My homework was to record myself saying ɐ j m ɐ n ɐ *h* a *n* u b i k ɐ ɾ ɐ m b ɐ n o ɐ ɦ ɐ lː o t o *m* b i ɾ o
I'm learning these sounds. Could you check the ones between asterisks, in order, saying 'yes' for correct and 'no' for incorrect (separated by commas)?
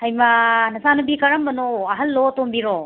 no, yes, yes